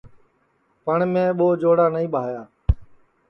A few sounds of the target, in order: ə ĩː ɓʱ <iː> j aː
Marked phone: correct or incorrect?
incorrect